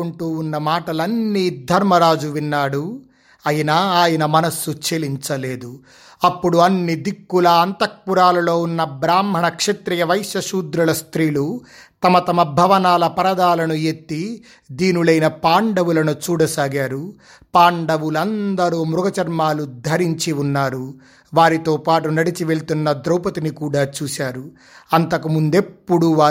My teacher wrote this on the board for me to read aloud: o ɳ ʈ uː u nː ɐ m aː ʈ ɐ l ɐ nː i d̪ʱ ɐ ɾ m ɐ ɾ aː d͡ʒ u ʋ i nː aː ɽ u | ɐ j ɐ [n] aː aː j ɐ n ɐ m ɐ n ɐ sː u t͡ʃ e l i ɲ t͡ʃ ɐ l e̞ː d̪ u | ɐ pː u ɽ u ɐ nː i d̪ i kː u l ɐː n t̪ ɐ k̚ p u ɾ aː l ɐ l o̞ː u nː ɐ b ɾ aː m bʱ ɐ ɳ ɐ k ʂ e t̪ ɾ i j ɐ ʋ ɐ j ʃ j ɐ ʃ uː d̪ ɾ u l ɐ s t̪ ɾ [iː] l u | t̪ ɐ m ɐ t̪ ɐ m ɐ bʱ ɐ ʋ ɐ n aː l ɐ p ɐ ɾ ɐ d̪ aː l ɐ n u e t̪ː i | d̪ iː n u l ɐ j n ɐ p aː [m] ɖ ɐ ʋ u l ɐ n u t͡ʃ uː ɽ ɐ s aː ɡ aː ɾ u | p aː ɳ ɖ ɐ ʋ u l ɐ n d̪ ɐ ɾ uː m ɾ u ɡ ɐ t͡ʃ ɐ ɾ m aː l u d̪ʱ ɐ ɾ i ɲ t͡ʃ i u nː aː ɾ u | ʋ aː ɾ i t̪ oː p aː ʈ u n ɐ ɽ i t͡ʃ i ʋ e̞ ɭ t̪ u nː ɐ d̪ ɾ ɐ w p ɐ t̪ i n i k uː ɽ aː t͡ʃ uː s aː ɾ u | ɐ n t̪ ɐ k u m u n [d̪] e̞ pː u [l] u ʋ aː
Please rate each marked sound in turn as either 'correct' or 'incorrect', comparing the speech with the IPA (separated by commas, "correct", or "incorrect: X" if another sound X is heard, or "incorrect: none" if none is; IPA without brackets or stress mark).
correct, correct, incorrect: ɳ, correct, incorrect: ɽ